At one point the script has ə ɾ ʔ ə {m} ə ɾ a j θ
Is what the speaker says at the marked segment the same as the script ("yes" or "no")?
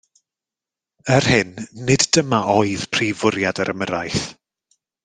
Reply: yes